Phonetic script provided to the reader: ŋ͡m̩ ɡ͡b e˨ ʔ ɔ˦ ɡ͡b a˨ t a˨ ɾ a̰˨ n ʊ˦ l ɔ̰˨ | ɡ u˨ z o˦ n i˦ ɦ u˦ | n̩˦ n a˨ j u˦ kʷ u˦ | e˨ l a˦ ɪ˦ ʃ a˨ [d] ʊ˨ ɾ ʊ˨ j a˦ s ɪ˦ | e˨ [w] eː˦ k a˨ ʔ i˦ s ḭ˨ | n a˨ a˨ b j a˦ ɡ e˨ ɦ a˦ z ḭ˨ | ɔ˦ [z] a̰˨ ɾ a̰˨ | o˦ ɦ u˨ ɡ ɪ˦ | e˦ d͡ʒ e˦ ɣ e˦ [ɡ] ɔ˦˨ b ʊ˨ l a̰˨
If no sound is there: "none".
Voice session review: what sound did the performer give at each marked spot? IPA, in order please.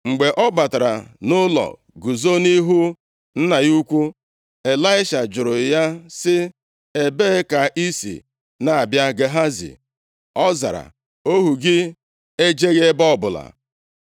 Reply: d͡ʒ, b, z, b

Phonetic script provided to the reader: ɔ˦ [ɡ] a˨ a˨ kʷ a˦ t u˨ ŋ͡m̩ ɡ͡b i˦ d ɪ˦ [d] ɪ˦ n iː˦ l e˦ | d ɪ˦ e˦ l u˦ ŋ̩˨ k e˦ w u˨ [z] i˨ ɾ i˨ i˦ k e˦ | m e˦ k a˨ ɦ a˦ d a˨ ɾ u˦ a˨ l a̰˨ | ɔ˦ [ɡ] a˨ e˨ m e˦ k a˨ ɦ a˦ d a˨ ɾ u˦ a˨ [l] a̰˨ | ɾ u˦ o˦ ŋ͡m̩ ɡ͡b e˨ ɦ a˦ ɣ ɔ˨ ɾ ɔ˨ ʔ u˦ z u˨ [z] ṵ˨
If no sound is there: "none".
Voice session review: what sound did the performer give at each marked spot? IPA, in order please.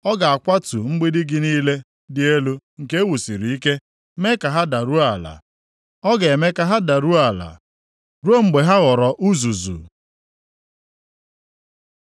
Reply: ɡ, ɡ, s, ɡ, l, z

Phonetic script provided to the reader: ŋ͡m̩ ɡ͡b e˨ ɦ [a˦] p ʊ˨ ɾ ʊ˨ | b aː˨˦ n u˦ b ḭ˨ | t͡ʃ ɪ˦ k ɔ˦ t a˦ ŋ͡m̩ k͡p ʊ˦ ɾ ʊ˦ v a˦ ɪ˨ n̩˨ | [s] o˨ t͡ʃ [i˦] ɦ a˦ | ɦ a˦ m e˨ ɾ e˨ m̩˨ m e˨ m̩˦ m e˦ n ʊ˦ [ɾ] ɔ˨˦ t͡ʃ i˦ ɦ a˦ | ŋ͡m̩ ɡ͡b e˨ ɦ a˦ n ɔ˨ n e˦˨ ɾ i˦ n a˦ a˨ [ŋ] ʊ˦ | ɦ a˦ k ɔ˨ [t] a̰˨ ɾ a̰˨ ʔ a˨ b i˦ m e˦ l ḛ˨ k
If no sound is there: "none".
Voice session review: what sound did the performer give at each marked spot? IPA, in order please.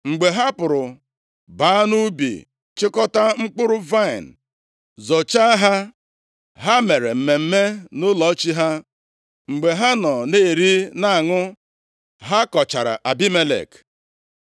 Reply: a˦, z, a˦, l, ŋ, t͡ʃ

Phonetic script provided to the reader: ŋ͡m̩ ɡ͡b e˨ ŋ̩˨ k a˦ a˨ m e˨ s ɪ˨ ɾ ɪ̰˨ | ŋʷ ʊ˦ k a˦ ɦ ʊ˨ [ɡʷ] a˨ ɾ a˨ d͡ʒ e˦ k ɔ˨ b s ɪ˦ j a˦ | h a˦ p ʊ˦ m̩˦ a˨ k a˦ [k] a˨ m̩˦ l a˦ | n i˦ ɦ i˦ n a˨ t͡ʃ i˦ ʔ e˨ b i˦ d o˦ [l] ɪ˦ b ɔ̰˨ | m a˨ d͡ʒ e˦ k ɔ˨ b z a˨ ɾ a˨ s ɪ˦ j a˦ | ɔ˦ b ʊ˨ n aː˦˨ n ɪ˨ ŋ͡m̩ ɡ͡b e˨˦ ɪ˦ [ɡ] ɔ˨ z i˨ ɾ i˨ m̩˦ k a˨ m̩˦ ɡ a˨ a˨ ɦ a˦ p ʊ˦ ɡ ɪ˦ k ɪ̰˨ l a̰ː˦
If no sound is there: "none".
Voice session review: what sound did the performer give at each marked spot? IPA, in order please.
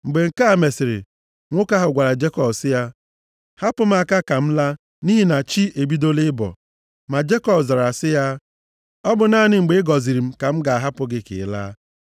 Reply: ɡʷ, k, l, ɡ

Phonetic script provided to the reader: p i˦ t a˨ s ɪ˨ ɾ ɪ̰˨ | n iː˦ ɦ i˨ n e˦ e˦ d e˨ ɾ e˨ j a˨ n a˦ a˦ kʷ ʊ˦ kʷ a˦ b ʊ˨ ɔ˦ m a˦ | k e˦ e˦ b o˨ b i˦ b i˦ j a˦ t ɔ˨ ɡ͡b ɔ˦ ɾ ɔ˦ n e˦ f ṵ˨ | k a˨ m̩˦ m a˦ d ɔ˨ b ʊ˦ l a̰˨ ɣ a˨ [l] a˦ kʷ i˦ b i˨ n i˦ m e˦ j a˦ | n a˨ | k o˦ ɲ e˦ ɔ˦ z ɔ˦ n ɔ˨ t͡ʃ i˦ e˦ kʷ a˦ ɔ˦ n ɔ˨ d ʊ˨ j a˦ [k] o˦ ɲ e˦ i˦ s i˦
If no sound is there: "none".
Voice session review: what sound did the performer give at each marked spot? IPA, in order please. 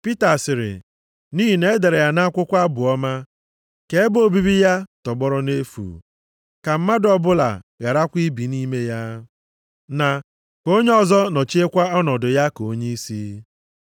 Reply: ɾ, k

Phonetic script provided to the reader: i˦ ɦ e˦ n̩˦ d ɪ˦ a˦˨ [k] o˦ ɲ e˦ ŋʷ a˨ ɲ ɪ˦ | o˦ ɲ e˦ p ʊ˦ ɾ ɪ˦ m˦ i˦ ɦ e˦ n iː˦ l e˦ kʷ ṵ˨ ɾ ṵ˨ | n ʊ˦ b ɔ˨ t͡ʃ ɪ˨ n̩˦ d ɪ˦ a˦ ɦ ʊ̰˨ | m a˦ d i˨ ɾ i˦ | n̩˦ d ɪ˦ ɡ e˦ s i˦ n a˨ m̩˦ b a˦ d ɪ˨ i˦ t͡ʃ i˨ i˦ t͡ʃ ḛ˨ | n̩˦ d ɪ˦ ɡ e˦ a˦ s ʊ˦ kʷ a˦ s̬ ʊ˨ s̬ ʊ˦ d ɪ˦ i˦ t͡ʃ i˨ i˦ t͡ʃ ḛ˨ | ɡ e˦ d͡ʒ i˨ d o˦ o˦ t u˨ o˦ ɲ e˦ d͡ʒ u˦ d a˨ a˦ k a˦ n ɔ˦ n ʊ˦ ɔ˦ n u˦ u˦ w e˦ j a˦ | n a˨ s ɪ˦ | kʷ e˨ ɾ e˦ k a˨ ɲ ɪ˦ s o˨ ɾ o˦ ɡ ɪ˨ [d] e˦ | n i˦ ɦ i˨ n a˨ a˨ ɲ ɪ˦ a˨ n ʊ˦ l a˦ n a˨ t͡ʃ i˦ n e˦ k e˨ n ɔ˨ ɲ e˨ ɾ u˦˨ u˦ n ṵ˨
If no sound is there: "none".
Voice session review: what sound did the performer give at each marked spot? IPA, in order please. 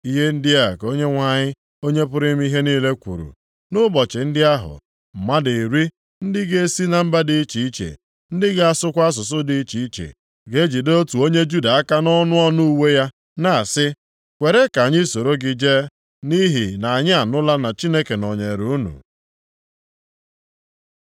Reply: k, d͡ʒ

